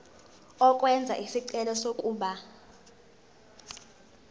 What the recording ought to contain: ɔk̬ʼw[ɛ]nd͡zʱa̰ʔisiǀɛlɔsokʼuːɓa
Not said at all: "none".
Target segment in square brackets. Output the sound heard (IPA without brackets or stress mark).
ɛ